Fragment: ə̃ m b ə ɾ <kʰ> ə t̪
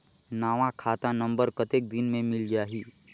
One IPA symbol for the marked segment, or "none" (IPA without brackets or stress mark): k